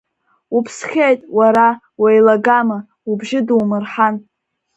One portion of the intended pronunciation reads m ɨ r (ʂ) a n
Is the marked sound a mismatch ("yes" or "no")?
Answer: yes